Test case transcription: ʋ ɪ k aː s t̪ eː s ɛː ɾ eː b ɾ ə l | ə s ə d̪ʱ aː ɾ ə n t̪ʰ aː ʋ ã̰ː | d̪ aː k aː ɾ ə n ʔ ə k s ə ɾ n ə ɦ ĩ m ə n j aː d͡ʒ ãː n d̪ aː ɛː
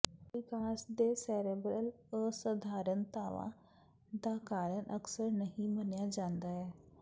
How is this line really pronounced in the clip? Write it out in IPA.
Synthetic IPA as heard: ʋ ɪ k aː s d̪ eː s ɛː ɾ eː b ɾ ə l | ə s ə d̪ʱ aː ɾ ə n t̪ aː ʋ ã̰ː | d̪ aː k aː ɾ ə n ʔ ə k s ə ɾ n ə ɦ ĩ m ə n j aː d͡ʒ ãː n d̪ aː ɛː